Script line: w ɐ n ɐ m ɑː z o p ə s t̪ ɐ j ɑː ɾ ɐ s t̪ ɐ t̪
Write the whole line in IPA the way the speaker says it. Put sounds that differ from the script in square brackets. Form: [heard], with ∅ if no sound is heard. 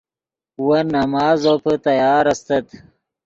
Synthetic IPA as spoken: w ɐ n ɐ m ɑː z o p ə [∅] t̪ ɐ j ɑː ɾ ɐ s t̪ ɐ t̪

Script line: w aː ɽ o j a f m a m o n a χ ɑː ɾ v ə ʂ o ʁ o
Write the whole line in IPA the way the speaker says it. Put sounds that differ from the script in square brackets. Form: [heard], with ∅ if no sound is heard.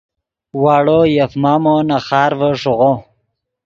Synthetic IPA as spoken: w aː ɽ o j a f m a m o n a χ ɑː ɾ v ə ʂ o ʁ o

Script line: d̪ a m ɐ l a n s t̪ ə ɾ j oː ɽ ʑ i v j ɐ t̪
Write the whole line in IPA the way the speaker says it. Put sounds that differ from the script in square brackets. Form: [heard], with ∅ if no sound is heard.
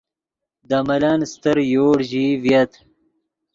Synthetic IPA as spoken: d̪ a m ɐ l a n s t̪ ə ɾ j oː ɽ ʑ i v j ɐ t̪

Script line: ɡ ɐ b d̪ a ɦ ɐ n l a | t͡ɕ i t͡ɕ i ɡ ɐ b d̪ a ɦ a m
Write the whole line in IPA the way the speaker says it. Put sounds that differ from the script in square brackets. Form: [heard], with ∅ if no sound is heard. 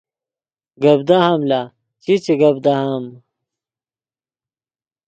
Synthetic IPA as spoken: ɡ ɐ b d̪ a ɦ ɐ [m] l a | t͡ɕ i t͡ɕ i ɡ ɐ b d̪ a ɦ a m

